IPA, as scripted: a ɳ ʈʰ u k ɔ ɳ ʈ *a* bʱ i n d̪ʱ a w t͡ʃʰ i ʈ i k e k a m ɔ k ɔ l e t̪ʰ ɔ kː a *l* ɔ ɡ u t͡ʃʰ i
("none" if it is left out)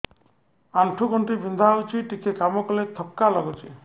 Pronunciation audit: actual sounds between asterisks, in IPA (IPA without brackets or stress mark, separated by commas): i, l